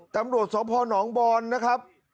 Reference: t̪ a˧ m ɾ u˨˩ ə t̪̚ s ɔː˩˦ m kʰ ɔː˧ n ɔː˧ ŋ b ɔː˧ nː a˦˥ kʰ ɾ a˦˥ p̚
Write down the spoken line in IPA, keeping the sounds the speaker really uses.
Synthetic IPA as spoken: t̪ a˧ m ɾ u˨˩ ə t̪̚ s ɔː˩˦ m pʰ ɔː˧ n ɔː˩˦ ŋ b ɔː˧ nː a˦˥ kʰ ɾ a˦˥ p̚